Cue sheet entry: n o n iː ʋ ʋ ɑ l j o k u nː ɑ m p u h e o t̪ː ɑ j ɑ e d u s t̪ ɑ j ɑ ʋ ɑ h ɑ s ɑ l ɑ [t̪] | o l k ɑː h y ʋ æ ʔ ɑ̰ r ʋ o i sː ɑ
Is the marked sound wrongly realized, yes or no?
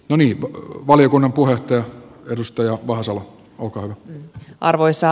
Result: yes